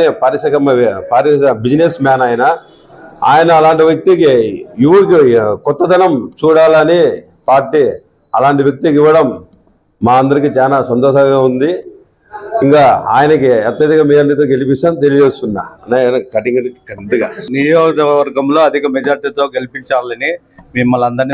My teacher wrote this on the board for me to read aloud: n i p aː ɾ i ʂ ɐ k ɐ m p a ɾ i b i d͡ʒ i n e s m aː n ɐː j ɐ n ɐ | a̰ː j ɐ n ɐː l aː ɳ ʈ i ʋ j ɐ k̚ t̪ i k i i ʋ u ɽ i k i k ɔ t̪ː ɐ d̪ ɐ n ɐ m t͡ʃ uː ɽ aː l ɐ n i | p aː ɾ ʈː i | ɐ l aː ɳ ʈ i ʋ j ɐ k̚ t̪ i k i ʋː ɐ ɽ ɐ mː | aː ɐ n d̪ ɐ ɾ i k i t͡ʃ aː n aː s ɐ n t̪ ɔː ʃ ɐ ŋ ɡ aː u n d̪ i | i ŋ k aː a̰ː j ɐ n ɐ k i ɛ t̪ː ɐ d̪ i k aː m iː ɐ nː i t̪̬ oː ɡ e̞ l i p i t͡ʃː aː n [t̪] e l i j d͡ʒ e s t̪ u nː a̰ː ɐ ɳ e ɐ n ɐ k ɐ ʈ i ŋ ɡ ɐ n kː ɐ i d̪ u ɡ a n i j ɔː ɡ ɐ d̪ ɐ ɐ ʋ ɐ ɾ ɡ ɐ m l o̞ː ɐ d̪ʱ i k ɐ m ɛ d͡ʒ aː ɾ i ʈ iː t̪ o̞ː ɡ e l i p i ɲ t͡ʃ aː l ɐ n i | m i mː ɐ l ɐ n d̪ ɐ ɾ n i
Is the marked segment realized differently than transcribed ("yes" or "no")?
no